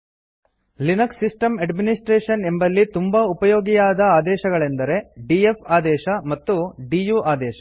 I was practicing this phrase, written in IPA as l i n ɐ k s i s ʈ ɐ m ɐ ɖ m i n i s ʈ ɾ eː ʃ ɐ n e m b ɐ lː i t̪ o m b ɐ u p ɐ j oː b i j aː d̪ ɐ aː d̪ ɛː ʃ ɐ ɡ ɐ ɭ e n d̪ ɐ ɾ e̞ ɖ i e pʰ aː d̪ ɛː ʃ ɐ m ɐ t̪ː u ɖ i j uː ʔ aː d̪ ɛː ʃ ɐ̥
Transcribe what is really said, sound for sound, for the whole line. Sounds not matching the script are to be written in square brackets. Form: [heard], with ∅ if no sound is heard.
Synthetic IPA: l i n ɐ k s i s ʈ ɐ m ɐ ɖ m i n i s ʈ ɾ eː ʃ ɐ n e m b ɐ lː i t̪ [u] m b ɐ u p ɐ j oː [ɡ] i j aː d̪ ɐ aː d̪ ɛː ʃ ɐ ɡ ɐ ɭ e n d̪ ɐ ɾ e̞ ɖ i e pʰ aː d̪ ɛː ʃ ɐ m ɐ t̪ː u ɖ i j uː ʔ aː d̪ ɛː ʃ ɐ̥